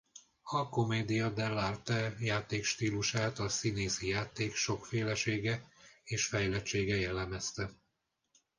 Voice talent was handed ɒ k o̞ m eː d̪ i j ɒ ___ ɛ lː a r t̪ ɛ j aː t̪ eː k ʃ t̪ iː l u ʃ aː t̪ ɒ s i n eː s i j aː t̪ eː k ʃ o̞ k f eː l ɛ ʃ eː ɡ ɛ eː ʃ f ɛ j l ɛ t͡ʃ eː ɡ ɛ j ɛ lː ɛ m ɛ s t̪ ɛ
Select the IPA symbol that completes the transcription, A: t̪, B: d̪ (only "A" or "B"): B